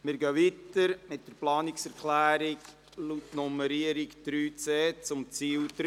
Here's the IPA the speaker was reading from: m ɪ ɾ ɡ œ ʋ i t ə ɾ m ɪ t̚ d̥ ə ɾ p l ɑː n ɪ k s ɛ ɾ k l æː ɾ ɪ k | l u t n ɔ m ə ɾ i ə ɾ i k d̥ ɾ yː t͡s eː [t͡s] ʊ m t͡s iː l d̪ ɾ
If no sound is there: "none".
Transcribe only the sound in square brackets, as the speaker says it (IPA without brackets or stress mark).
t͡s